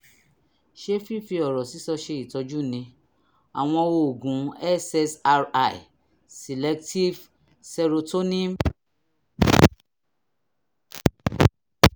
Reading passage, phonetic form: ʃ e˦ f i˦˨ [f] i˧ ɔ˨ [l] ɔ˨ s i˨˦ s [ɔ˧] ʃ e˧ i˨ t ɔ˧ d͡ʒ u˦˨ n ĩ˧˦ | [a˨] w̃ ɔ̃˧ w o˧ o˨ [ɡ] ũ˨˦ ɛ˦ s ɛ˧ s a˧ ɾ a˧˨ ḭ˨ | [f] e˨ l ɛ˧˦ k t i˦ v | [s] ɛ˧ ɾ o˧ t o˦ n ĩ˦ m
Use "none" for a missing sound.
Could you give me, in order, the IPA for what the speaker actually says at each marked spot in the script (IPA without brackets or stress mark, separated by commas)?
f, ɾ, ɔ˧, a˨, ɡ, s, s